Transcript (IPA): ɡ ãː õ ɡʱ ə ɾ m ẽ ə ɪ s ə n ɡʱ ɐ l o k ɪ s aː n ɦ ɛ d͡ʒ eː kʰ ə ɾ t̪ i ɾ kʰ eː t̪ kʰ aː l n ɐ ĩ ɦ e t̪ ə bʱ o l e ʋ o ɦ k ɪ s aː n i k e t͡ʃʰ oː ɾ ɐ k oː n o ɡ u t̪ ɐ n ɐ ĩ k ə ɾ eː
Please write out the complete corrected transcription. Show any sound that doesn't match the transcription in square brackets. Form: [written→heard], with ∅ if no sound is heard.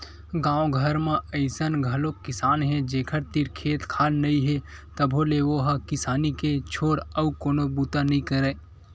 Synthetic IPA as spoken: ɡ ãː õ ɡʱ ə ɾ m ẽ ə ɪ s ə n ɡʱ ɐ l o k ɪ s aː n ɦ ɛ d͡ʒ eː kʰ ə ɾ t̪ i ɾ kʰ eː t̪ kʰ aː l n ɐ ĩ ɦ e t̪ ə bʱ o l e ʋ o ɦ k ɪ s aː n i k e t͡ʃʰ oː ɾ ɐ k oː n o [ɡ→b] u t̪ [ɐ→a] n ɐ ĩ k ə ɾ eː